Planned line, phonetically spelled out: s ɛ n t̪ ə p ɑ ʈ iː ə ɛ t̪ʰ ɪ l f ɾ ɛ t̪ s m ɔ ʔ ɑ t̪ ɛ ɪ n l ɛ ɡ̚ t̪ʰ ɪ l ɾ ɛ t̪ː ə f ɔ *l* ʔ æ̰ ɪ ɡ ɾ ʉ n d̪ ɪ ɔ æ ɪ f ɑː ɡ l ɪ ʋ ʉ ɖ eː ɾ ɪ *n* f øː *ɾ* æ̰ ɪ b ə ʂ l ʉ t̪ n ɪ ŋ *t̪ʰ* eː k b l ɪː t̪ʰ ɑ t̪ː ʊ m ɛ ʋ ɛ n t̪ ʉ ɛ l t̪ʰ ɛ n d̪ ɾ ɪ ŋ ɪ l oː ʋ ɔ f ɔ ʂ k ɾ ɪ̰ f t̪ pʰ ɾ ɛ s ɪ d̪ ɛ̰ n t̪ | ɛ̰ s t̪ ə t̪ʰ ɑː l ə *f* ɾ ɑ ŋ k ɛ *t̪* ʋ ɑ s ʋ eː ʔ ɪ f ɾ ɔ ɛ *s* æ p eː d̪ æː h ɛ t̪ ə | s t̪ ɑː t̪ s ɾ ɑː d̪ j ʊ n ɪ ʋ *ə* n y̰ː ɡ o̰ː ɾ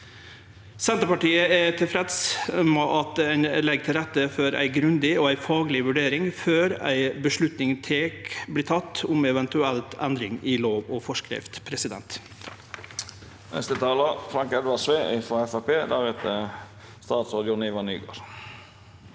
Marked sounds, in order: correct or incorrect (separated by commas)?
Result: incorrect, incorrect, correct, correct, correct, incorrect, incorrect, incorrect